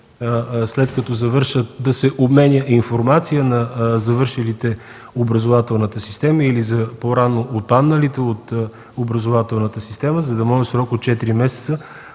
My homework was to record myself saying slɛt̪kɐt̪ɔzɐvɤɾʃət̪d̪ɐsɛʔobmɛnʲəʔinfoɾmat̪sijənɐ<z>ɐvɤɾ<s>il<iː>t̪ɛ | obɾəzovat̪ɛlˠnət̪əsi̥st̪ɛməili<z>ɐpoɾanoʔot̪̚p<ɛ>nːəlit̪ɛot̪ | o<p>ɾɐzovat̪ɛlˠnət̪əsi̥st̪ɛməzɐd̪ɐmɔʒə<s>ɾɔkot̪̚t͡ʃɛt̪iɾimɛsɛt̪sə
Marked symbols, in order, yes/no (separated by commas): yes, no, no, yes, no, no, yes